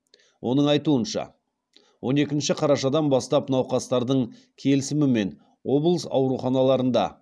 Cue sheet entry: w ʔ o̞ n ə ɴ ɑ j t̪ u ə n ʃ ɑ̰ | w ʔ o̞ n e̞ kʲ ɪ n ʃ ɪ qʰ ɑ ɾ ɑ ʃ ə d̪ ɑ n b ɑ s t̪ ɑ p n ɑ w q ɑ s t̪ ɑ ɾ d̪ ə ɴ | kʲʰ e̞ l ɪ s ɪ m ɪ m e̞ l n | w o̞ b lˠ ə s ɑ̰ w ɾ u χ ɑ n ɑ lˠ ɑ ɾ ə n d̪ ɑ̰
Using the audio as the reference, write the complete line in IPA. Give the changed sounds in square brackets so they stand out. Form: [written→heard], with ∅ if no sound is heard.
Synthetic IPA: w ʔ o̞ n ə ɴ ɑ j t̪ u ə n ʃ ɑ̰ | w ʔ o̞ n e̞ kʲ ɪ n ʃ ɪ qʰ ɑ ɾ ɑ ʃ [ə→ɑ] d̪ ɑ n b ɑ s t̪ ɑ p n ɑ w q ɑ s t̪ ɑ ɾ d̪ ə ɴ | kʲʰ e̞ l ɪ s ɪ m ɪ m e̞ [l→∅] n | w o̞ b lˠ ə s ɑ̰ w ɾ u χ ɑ n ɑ lˠ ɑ ɾ ə n d̪ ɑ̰